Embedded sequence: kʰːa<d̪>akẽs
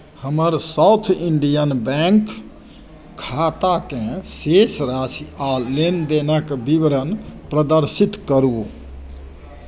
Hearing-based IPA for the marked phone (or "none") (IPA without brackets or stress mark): t̪